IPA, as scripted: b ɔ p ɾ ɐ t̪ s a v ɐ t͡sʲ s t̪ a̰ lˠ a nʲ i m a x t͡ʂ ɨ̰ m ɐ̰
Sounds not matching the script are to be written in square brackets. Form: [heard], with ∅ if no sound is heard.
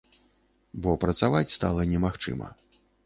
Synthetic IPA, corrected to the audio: b ɔ p ɾ ɐ t̪ s a v [a] t͡sʲ s t̪ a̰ lˠ [ɐ] nʲ [ɛ] m a x t͡ʂ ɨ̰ m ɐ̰